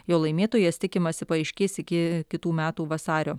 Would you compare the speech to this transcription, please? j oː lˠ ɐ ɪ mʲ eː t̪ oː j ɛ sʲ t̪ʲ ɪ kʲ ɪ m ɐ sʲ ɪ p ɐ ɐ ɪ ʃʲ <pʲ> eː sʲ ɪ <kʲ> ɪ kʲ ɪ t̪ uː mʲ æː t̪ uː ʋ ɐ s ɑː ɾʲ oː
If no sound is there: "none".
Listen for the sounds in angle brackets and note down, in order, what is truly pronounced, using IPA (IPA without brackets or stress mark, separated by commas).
kʲ, kʲ